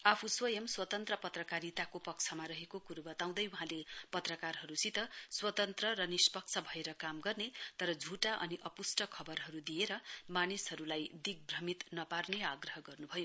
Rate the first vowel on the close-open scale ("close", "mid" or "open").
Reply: open